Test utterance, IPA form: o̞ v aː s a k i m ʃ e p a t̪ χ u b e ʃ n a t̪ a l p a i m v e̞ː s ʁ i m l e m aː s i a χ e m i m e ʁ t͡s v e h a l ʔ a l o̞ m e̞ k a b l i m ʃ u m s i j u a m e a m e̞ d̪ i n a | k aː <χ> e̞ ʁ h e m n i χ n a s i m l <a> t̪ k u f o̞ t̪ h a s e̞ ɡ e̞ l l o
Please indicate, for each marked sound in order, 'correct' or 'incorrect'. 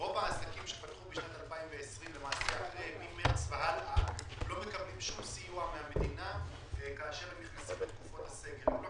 incorrect: ʃ, incorrect: e

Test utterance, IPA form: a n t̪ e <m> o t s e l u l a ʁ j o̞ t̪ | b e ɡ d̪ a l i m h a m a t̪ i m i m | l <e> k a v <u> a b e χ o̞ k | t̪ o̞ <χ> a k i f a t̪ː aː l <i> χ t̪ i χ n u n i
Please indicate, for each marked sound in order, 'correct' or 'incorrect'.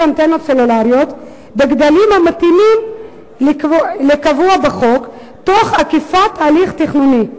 incorrect: n, correct, correct, correct, correct

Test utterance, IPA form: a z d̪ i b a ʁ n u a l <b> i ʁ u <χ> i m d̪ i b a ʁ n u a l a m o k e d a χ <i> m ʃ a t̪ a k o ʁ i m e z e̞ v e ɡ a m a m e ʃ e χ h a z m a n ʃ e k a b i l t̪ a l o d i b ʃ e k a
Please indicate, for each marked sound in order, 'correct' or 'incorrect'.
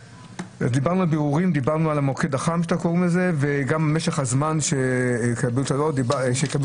correct, incorrect: ʁ, incorrect: a

